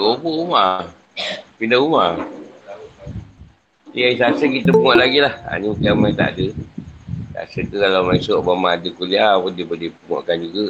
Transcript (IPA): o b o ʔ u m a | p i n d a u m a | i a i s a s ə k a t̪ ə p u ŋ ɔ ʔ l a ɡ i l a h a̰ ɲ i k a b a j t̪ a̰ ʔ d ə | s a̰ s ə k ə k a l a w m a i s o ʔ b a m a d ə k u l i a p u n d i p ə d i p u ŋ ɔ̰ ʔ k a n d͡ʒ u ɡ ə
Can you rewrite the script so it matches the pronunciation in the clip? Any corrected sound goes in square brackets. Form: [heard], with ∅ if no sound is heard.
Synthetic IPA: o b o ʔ u m a | p i n d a u m a | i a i s a s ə k [i] t̪ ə p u ŋ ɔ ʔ l a ɡ i l a h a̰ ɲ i k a [m] a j t̪ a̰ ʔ d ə | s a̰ s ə k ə k a l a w m a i s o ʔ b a m a d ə k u l i a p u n d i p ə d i p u ŋ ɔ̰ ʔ k a n d͡ʒ u ɡ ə